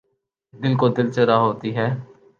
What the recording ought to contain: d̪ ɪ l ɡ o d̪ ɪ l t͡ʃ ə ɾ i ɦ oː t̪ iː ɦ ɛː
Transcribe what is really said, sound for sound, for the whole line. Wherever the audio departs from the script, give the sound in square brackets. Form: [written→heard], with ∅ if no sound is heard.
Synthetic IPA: d̪ ɪ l [ɡ→k] o d̪ ɪ l t͡ʃ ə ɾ [i→a] ɦ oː t̪ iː ɦ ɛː